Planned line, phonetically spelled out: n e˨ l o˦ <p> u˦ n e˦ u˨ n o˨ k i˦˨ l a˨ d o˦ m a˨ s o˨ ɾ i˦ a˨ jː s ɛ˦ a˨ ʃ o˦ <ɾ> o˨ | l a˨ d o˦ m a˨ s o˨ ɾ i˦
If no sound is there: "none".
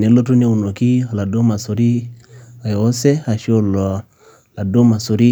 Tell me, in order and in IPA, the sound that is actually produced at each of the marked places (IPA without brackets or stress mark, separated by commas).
t, l